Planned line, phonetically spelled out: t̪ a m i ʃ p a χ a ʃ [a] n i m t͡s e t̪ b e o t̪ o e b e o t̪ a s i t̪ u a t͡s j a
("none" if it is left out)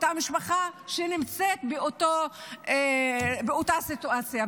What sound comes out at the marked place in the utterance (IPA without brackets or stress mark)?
e